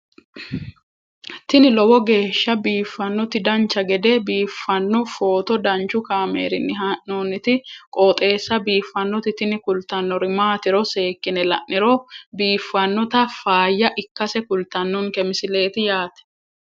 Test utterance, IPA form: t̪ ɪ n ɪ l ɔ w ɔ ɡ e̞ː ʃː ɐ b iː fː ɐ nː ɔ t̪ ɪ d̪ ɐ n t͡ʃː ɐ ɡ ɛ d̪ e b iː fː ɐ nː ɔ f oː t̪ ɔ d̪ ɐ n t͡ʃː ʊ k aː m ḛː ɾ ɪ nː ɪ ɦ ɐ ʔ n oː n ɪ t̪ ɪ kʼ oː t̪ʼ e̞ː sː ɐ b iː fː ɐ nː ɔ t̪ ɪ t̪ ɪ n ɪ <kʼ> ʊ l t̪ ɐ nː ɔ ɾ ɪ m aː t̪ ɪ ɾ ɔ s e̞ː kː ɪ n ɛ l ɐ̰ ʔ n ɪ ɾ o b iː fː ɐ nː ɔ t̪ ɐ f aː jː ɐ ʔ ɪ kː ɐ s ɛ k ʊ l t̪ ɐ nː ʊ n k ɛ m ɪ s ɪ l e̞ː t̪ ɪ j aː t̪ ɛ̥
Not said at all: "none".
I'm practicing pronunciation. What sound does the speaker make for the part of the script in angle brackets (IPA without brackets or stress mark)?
k